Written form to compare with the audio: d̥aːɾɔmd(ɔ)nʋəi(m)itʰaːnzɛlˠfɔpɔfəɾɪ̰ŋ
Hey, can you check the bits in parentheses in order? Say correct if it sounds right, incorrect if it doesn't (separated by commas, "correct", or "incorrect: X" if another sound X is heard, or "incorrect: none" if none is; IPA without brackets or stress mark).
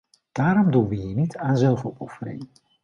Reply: incorrect: u, incorrect: n